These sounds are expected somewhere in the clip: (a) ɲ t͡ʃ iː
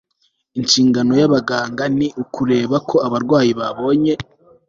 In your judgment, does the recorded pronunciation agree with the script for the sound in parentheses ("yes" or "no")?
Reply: no